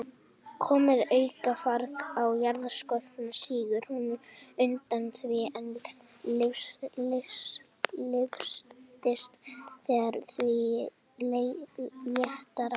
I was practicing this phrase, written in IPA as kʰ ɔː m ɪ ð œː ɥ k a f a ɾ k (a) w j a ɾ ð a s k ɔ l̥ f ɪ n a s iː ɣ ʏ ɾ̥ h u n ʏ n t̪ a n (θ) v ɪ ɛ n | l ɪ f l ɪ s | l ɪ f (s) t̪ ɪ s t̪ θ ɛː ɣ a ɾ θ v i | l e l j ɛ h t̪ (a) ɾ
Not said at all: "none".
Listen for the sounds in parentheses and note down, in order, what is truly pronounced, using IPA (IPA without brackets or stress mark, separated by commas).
a, θ, s, a